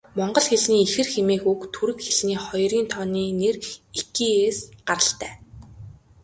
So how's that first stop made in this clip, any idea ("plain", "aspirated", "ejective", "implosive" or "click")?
plain